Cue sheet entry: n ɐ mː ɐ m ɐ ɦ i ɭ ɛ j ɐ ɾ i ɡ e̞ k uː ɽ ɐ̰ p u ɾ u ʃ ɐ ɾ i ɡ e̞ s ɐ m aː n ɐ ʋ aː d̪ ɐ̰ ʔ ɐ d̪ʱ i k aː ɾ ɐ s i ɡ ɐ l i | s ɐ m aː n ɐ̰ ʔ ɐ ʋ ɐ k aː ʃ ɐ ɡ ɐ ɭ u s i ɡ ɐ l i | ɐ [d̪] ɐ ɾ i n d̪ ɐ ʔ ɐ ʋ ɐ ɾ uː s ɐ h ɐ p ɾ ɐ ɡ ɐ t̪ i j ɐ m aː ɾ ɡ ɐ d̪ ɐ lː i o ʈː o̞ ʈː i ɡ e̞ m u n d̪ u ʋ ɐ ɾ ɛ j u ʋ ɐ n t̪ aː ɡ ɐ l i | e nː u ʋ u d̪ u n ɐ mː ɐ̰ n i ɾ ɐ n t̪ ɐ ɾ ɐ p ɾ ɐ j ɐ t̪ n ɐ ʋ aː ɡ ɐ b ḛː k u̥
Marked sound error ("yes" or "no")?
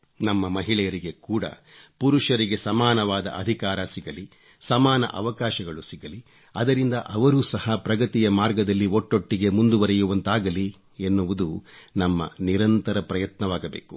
no